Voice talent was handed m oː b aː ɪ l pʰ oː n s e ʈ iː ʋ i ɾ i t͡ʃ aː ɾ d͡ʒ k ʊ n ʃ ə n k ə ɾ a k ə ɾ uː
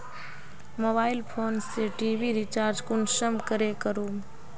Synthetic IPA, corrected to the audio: m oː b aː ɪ l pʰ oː n s e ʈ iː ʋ i ɾ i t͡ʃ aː ɾ d͡ʒ k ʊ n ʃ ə m k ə ɾ e k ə ɾ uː